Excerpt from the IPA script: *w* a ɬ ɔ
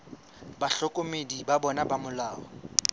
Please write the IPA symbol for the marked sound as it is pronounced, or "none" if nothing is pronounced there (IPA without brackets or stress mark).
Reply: b